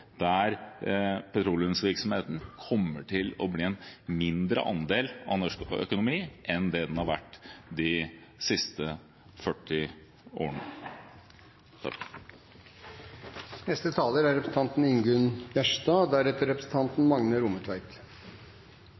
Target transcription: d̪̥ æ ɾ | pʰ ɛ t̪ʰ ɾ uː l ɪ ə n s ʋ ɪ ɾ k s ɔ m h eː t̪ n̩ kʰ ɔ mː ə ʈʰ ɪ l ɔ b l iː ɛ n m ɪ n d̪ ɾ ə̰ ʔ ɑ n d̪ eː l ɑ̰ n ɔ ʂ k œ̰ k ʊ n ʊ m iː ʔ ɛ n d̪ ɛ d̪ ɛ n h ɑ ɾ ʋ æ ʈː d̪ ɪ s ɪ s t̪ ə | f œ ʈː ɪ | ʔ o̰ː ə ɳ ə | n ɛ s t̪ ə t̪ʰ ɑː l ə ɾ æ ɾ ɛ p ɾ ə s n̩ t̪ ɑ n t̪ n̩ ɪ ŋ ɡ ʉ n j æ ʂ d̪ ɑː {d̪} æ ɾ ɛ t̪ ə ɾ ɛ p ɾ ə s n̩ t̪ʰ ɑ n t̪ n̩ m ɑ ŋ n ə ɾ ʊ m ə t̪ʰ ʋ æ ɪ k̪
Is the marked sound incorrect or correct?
correct